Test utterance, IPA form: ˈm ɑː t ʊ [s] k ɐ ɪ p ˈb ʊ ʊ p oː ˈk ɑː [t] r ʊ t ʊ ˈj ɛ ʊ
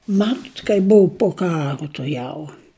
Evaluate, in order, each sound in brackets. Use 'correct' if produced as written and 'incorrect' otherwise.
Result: incorrect: t, incorrect: none

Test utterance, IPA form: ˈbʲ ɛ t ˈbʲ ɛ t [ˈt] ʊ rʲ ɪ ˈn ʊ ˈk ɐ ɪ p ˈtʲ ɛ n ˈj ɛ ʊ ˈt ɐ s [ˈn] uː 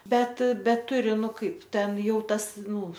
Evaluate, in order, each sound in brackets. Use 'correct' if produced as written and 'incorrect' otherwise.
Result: correct, correct

